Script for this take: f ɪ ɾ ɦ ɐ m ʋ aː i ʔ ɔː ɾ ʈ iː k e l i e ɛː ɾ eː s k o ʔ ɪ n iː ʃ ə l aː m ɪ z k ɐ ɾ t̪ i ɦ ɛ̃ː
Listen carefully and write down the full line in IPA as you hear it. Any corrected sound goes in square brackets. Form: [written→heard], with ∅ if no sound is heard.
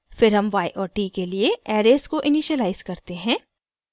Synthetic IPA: f ɪ ɾ ɦ ɐ m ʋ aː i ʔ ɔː ɾ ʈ iː k e l i e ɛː ɾ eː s k o ʔ ɪ n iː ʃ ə l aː [m→∅] ɪ z k ɐ ɾ t̪ [i→e] ɦ ɛ̃ː

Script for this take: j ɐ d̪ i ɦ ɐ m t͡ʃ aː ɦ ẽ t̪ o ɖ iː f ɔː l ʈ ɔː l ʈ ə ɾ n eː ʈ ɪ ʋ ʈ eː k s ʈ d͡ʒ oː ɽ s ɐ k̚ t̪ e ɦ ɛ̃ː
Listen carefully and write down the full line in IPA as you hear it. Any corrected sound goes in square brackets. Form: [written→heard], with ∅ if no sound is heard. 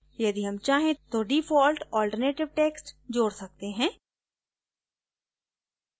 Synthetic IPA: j ɐ d̪ i ɦ ɐ m t͡ʃ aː ɦ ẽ t̪ o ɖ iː f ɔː l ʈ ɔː l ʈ ə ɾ n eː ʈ ɪ ʋ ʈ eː k s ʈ d͡ʒ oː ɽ s ɐ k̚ t̪ e ɦ ɛ̃ː

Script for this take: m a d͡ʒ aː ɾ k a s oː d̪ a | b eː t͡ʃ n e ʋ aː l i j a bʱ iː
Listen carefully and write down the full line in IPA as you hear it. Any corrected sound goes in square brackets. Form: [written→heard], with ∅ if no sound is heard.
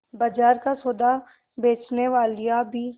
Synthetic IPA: [m→b] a d͡ʒ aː ɾ k a s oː d̪ a | b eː t͡ʃ n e ʋ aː l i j a bʱ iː

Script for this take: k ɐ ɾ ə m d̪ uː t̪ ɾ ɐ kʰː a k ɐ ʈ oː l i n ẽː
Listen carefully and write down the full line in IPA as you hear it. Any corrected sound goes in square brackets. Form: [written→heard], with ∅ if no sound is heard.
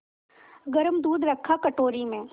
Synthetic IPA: [k→ɡ] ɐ ɾ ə m d̪ uː [t̪→d̪] ɾ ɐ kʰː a k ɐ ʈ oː [l→ɾ] i [n→m] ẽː

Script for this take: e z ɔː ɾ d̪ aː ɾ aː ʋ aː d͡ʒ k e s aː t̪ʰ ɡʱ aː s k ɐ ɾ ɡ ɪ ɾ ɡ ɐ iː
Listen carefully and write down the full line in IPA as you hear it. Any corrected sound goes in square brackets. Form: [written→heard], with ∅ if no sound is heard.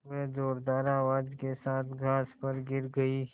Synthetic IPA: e z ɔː ɾ d̪ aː ɾ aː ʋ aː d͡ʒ k e s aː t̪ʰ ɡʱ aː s [k→p] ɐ ɾ ɡ ɪ ɾ ɡ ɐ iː

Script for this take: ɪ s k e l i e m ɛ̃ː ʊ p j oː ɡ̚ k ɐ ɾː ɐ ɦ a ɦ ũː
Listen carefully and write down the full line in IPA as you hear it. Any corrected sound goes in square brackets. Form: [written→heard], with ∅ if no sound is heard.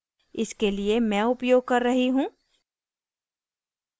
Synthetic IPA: ɪ s k e l i e m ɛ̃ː ʊ p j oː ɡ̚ k ɐ ɾː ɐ ɦ [a→i] ɦ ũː

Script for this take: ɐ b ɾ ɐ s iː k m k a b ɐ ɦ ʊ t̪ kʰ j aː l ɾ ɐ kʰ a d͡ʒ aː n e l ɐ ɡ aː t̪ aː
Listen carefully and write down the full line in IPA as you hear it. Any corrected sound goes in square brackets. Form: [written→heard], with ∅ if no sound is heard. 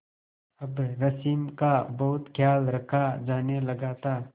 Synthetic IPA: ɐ b ɾ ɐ s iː [k→∅] m k a b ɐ ɦ ʊ t̪ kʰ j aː l ɾ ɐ kʰ a d͡ʒ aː n e l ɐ ɡ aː t̪ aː

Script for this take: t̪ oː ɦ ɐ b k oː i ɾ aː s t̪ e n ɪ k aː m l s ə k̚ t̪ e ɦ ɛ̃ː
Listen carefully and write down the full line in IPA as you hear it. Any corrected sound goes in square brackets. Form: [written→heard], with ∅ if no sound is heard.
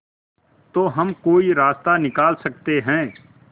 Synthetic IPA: t̪ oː ɦ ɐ [b→m] k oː i ɾ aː s t̪ [e→a] n ɪ k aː [m→∅] l s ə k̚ t̪ e ɦ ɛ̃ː

